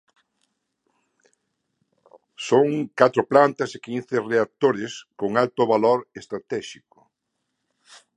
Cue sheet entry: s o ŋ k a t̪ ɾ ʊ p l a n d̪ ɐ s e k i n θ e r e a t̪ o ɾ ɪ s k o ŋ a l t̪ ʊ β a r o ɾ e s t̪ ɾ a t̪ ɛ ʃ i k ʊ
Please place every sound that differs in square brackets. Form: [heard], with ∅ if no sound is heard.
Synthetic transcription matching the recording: s o ŋ k a t̪ ɾ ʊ p l a n [t̪] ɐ s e k i n θ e r e a t̪ o ɾ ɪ s k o ŋ a l t̪ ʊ β a [l] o ɾ e s t̪ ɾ a t̪ ɛ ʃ i k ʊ